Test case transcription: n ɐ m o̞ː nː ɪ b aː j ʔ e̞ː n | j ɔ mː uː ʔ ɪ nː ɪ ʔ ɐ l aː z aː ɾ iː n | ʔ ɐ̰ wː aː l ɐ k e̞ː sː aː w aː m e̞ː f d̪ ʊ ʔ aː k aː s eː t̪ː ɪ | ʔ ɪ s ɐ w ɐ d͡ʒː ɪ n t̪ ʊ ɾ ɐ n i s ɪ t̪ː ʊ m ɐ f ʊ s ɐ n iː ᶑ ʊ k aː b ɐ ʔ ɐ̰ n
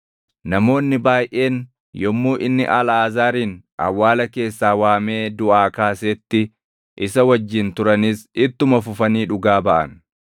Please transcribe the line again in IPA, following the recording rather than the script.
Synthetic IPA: n ɐ m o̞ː nː ɪ b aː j ʔ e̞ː n | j ɔ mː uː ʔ ɪ nː ɪ ʔ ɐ l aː z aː ɾ iː n | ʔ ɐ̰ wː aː l ɐ k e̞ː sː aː w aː m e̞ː d̪ ʊ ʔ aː k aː s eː t̪ː ɪ | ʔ ɪ s ɐ w ɐ d͡ʒː ɪ n t̪ ʊ ɾ ɐ n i s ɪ t̪ː ʊ m ɐ f ʊ f ɐ n iː ᶑ ʊ ɡ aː b ɐ ʔ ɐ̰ n